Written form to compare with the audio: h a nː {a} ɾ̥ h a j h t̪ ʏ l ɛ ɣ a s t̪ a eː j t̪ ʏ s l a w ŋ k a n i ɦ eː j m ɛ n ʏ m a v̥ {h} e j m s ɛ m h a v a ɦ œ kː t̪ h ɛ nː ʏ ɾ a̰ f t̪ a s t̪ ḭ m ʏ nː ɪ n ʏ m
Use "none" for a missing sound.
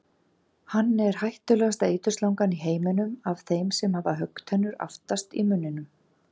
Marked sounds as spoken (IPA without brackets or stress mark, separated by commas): ɛ, θ